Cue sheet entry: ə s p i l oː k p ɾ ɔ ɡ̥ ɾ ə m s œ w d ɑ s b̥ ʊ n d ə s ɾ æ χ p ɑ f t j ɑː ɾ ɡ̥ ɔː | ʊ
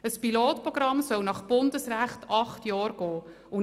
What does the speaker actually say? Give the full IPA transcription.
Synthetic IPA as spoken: ə s p i l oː t p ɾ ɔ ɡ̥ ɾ ɑ m s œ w n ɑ χ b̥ ʊ n d ə s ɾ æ χ t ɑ χ t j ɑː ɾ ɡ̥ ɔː | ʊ